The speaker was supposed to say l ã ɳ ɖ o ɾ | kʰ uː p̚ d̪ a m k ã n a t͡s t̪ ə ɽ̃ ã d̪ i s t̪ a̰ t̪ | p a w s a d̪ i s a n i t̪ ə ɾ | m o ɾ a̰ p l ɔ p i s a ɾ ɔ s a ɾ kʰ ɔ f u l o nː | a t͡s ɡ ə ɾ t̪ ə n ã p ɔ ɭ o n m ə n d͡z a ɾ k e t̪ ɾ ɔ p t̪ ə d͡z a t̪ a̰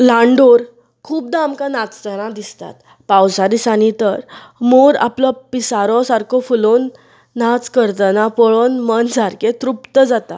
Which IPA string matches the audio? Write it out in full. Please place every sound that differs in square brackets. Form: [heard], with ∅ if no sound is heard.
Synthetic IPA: l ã ɳ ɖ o ɾ | kʰ uː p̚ d̪ a m k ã n a t͡s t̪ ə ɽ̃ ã d̪ i s t̪ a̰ t̪ | p a w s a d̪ i s a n i t̪ ə ɾ | m o ɾ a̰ p l ɔ p i s a ɾ ɔ s a ɾ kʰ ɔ f u l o nː | a t͡s [k] ə ɾ t̪ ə n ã p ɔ ɭ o n m ə n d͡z a ɾ k e t̪ ɾ [u] p t̪ ə d͡z a t̪ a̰